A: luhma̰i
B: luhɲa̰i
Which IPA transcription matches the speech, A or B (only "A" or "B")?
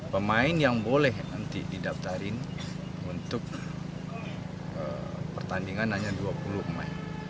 A